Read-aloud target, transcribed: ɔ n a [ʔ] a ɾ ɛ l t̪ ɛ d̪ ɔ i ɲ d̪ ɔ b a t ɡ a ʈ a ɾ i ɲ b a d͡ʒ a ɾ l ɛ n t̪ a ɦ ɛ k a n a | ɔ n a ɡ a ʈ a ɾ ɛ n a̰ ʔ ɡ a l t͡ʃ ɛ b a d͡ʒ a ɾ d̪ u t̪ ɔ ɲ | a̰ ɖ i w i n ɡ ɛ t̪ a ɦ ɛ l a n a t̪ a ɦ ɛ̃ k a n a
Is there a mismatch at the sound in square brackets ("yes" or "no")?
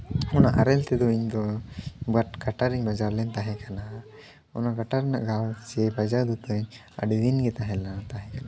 no